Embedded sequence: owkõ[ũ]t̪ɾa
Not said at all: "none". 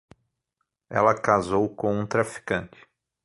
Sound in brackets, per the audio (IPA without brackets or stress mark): ũ